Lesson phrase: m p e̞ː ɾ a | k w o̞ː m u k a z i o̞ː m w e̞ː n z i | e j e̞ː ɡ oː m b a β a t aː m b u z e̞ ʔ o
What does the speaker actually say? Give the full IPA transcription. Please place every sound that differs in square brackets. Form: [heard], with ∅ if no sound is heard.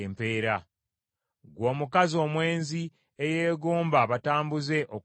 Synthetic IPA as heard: m p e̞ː ɾ a | [ɡ] w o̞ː m u k a z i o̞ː m w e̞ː n z i | e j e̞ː ɡ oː m b a β a t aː m b u z e̞ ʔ o